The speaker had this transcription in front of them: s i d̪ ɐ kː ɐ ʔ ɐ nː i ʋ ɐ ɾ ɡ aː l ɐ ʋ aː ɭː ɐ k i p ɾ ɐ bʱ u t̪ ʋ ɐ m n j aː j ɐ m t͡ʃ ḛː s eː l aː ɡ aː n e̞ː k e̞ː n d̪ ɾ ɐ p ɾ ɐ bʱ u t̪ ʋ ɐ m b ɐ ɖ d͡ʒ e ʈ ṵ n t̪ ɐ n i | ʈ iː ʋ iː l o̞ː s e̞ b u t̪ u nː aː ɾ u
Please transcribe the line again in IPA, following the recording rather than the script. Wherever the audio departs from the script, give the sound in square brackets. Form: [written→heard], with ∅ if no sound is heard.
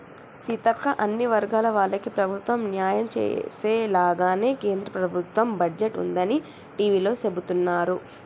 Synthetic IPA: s i [d̪→t̪] ɐ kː ɐ ʔ ɐ nː i ʋ ɐ ɾ ɡ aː l ɐ ʋ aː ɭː ɐ k i p ɾ ɐ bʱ u t̪ ʋ ɐ m n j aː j ɐ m t͡ʃ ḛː s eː l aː ɡ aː n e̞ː k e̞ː n d̪ ɾ ɐ p ɾ ɐ bʱ u t̪ ʋ ɐ m b ɐ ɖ d͡ʒ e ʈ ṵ n [t̪→d̪] ɐ n i | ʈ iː ʋ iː l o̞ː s e̞ b u t̪ u nː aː ɾ u

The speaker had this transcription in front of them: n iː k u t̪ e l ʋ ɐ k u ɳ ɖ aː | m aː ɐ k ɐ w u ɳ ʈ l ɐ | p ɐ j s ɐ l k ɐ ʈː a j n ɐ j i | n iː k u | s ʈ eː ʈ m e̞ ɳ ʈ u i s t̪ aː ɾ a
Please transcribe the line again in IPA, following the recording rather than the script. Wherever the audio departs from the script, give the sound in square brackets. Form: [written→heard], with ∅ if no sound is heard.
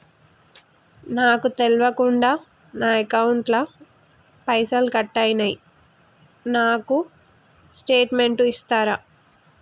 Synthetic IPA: n [iː→aː] k u t̪ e l ʋ ɐ k u ɳ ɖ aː | [m→n] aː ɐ k ɐ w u ɳ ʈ l ɐ | p ɐ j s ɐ l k ɐ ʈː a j n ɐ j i | n [iː→aː] k u | s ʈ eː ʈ m e̞ ɳ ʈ u i s t̪ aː ɾ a

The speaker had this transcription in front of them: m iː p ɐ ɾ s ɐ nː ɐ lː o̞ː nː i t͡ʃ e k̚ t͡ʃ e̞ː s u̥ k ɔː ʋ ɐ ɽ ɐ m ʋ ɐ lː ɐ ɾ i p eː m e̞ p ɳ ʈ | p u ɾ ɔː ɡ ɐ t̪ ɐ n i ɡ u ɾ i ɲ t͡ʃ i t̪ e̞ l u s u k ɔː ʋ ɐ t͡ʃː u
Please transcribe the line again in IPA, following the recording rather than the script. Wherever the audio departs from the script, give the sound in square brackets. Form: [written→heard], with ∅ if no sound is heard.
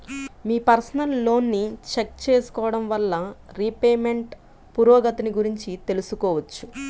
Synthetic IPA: m iː p ɐ ɾ s ɐ [nː→n] ɐ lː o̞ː nː i t͡ʃ e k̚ t͡ʃ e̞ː s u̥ k ɔː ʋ ɐ ɽ ɐ m ʋ ɐ lː ɐ ɾ i p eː m e̞ [p→∅] ɳ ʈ | p u ɾ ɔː ɡ ɐ t̪ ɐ n i ɡ u ɾ i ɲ t͡ʃ i t̪ e̞ l u s u k ɔː ʋ ɐ t͡ʃː u

